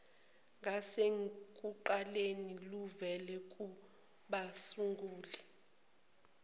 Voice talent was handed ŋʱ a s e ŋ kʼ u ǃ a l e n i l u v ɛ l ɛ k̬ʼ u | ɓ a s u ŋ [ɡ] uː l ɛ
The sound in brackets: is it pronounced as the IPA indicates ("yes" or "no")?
yes